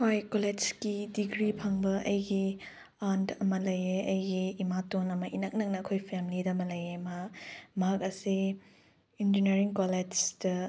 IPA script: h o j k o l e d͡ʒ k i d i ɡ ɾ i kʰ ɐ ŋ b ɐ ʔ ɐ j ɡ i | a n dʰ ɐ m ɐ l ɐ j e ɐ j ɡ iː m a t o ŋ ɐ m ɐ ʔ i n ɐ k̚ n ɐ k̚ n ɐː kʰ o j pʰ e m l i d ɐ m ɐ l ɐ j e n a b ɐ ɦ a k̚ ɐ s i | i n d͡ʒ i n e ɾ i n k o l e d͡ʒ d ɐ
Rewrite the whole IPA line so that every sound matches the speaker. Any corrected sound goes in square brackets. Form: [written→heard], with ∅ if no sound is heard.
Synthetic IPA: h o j k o l e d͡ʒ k i d i ɡ ɾ i [kʰ→pʰ] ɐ ŋ b ɐ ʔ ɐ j ɡ i | a n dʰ ɐ m ɐ l ɐ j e ɐ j ɡ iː m a t o [ŋ→n] ɐ m ɐ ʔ i n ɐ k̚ n ɐ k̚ n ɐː kʰ o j pʰ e m l i d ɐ m ɐ l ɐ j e [n→m] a [b→m] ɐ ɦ a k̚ ɐ s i | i n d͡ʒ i n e ɾ i [n→ŋ] k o l e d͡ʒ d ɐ